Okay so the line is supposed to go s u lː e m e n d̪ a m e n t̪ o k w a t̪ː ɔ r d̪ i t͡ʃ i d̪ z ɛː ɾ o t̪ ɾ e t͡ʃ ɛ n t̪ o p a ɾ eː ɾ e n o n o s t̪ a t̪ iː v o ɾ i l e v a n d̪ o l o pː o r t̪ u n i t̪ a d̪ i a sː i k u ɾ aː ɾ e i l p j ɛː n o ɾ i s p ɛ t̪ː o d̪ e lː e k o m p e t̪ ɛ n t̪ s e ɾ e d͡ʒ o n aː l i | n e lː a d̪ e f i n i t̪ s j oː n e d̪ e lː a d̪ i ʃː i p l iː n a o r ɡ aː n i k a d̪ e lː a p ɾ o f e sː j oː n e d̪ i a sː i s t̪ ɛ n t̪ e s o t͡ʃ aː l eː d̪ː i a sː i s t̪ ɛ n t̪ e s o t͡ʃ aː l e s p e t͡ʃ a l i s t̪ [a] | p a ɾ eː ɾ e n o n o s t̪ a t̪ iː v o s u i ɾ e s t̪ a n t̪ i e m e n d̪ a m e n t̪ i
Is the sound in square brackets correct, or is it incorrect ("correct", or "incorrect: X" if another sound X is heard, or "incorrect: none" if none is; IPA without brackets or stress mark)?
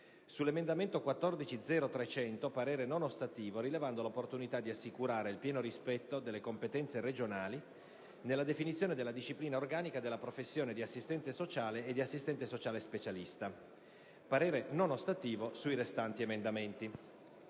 correct